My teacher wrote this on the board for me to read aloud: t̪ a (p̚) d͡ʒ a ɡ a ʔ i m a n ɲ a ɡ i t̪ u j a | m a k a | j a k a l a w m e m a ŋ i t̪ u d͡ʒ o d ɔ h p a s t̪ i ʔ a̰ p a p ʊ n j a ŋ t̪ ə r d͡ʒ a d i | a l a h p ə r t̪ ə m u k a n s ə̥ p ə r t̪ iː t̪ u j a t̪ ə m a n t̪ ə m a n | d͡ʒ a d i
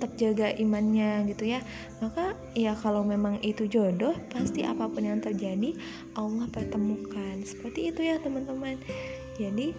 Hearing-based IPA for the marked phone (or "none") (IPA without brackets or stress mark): p̚